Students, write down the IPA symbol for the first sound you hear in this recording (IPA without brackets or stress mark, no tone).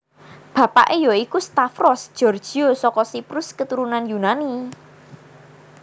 b̥